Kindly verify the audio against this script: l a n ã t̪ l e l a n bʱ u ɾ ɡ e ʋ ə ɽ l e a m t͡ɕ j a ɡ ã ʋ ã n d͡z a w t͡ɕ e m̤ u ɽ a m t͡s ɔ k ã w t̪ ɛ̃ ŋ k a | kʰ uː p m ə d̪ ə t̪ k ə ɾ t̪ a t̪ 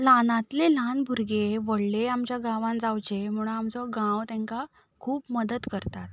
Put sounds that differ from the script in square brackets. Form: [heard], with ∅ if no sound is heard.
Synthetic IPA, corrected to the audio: l a n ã t̪ l e l a n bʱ u ɾ ɡ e ʋ ə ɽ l e a m t͡ɕ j a ɡ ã ʋ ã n d͡z a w t͡ɕ e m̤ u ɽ a m t͡s ɔ [ɡ] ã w t̪ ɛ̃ ŋ k a | kʰ uː p m ə d̪ ə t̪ k ə ɾ t̪ a t̪